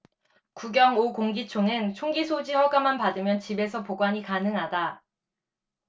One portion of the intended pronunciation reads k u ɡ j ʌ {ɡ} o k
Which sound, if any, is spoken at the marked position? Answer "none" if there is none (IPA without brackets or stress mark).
ŋ